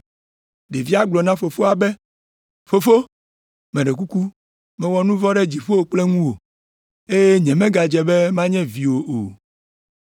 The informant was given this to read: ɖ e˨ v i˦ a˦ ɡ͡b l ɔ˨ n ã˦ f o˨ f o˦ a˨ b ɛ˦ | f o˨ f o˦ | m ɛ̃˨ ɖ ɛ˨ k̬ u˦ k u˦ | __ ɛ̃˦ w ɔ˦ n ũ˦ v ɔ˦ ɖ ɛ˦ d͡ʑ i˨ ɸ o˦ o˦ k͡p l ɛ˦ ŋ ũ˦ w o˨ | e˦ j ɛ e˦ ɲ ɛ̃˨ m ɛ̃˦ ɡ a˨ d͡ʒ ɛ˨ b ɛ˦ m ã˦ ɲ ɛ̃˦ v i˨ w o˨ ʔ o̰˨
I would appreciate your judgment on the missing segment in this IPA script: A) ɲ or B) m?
B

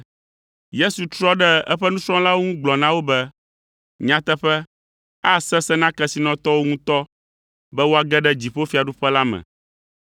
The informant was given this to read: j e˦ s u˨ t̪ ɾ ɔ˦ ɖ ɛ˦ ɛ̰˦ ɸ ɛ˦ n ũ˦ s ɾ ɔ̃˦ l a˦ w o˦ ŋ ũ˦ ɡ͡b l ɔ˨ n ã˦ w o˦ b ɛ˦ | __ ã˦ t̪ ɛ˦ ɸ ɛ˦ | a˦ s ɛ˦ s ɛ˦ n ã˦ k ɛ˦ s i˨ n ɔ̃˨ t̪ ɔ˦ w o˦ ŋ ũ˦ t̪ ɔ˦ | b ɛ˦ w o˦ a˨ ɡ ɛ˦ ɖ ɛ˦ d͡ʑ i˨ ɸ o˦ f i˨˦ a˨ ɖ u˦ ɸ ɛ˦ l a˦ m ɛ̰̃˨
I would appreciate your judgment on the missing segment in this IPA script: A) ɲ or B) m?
A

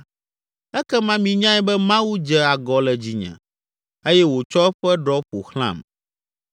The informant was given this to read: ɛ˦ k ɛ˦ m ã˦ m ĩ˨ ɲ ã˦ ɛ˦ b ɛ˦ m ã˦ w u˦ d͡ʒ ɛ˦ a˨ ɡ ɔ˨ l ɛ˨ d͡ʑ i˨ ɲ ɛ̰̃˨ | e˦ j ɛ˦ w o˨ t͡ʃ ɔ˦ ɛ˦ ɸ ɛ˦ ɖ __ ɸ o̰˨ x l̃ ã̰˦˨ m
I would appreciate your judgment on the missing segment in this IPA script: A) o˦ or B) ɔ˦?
B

